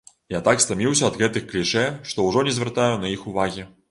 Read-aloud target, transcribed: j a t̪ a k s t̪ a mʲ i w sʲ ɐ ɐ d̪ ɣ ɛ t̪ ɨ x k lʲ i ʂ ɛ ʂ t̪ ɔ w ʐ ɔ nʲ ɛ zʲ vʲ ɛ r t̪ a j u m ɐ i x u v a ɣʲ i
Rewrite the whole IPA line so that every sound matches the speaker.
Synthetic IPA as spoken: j a t̪ a k s t̪ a mʲ i w sʲ ɐ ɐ d̪ ɣ ɛ t̪ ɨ x k lʲ i ʂ ɛ ʂ t̪ ɔ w ʐ ɔ nʲ ɛ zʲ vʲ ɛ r t̪ a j u n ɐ i x u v a ɣʲ i